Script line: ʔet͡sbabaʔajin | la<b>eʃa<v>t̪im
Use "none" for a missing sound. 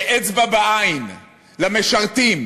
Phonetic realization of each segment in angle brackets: m, ʁ

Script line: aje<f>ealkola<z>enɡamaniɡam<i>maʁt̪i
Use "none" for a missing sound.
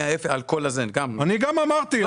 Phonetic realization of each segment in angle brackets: f, z, a

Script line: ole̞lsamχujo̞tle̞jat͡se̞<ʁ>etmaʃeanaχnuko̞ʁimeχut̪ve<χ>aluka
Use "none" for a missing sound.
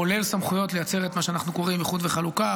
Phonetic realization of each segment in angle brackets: ʁ, χ

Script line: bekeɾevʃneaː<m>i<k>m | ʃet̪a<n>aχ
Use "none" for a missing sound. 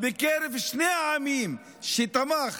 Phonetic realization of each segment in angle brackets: m, none, m

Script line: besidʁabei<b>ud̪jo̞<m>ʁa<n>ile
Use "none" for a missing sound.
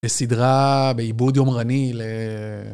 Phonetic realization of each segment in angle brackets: b, m, n

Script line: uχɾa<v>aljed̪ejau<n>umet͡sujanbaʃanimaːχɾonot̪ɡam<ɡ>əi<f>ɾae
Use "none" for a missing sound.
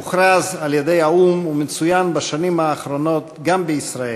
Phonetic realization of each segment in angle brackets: z, m, b, s

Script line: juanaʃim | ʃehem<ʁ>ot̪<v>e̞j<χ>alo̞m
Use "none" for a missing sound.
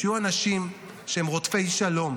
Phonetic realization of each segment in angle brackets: ʁ, f, ʃ

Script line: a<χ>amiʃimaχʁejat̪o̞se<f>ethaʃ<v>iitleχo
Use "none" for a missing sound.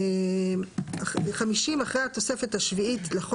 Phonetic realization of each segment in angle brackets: χ, f, v

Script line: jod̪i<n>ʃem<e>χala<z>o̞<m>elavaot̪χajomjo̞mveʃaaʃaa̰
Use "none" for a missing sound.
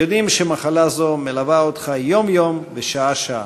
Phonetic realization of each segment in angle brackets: m, a, z, m

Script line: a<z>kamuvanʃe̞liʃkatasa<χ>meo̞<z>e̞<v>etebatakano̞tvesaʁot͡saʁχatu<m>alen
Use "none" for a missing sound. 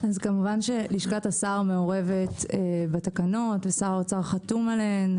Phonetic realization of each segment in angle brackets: z, ʁ, ʁ, v, m

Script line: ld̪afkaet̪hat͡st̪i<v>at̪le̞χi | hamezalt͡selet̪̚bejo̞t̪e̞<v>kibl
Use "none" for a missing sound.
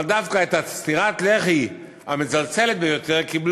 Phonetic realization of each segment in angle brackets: ʁ, ʁ

